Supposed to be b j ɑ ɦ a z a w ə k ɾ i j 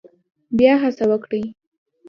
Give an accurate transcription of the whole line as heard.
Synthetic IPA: b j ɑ ɦ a s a w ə k ɽ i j

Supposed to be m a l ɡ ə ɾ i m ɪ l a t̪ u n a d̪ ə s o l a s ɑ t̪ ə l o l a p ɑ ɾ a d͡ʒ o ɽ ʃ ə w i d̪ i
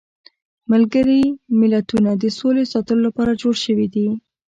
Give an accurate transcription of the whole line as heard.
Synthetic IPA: m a l ɡ ə ɾ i m ɪ l a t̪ u n a d̪ ə s o l e s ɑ t̪ ə l o l a p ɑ ɾ a d͡ʒ o ɽ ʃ ə w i d̪ i

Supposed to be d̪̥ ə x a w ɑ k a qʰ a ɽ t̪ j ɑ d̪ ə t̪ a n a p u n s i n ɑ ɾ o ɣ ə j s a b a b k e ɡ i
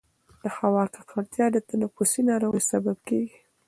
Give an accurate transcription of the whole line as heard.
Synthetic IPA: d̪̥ ə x a w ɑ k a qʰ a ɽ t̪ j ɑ d̪ ə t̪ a n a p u s i n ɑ ɾ o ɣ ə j s a b a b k e ɡ i

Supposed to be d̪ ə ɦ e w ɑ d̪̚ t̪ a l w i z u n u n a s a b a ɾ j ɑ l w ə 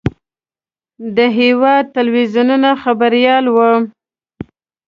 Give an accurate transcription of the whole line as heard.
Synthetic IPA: d̪ ə ɦ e w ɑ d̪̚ t̪ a l w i z u n u n a x a b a ɾ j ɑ l w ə

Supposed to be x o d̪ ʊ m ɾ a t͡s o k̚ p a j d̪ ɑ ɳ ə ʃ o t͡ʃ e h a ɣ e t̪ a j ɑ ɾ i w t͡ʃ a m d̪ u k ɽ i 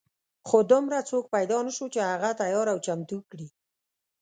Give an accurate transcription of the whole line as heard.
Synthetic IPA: x o d̪ ʊ m ɾ a t͡s o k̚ p a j d̪ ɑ n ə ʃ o t͡ʃ e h a ɣ a t̪ a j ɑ ɾ a w t͡ʃ a m t̪ u k ɽ i

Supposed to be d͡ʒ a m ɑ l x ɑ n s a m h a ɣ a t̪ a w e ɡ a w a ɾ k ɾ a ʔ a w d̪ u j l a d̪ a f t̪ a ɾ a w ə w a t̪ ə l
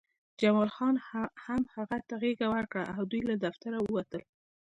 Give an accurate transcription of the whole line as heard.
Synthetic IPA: d͡ʒ a m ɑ l x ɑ n h a m h a ɣ a t̪ a ɣ e ɡ a w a ɾ k ɽ a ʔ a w d̪ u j l a d̪ a f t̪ a ɾ a w ə w a t̪ ə l

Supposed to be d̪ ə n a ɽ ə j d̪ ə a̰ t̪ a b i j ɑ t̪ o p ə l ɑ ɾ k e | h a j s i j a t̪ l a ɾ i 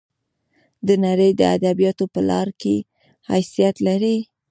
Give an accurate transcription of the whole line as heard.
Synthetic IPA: d̪ ə n a ɾ ə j d̪ ə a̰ d̪ a b i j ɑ t̪ o p ə l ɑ ɾ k e | h a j s i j a t̪ l a ɾ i

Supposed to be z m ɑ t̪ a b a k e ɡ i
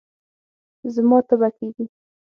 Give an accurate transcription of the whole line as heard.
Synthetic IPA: z m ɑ t̪ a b a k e ɡ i

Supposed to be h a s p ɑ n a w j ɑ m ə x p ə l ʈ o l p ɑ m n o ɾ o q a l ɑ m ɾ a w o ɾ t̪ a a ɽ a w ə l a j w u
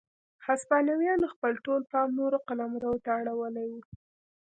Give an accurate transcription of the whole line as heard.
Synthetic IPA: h a s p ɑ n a w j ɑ n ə x p ə l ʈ o l p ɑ m n o ɾ o q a l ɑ m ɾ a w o t̪ a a ɽ a w ə l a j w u

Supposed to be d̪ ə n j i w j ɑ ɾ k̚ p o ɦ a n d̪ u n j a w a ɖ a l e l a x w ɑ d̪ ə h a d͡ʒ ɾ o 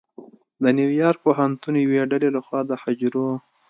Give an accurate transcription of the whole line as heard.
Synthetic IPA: d̪ ə n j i w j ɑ ɾ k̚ p o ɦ a n t̪ u n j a w e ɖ a l e l a x w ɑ d̪ ə h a d͡ʒ ɾ o

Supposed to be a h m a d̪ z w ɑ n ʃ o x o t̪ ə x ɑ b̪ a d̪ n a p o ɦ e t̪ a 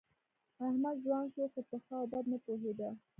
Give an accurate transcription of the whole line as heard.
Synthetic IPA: a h m a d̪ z w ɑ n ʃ o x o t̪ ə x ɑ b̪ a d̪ n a p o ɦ e d̪ a

